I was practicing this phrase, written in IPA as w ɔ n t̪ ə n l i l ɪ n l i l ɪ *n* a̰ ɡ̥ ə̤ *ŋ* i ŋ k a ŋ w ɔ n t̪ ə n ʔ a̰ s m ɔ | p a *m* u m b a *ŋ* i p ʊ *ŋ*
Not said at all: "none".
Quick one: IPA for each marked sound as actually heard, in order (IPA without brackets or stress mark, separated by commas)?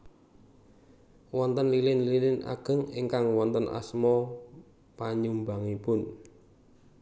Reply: n, ŋ, ɲ, ŋ, n